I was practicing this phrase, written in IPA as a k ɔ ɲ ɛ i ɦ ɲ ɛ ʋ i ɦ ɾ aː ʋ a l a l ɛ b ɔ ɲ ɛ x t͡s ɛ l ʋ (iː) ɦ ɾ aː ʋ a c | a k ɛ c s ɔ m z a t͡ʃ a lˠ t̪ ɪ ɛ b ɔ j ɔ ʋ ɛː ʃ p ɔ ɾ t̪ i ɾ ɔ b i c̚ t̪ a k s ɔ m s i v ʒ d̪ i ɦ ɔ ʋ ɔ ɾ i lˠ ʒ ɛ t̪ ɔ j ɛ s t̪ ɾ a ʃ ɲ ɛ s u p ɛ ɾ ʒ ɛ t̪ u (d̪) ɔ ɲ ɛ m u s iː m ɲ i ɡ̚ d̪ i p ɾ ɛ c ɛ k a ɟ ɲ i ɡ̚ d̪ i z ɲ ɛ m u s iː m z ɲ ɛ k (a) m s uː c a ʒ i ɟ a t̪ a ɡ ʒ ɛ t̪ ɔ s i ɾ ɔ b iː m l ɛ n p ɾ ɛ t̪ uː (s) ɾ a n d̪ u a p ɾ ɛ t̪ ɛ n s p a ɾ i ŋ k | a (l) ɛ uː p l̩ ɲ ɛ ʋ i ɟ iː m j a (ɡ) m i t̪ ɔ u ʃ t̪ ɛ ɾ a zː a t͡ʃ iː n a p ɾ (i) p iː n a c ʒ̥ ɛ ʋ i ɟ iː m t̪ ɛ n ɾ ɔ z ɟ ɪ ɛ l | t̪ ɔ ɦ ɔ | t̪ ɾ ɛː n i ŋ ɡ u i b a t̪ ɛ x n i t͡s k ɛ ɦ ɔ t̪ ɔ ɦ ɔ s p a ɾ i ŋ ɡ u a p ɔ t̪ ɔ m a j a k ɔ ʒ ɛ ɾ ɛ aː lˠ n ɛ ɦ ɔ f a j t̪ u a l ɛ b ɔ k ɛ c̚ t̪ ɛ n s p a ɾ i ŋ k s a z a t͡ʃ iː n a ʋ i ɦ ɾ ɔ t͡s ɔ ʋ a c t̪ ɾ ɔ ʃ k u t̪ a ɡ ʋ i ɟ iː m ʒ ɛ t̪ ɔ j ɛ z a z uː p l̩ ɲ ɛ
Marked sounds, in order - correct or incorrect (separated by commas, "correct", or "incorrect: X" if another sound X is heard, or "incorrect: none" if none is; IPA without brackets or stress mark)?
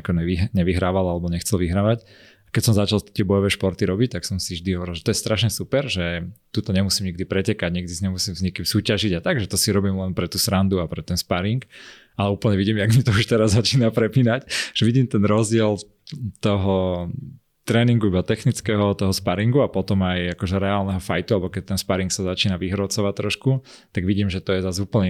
incorrect: i, incorrect: t̪, incorrect: i, correct, correct, correct, incorrect: ɛ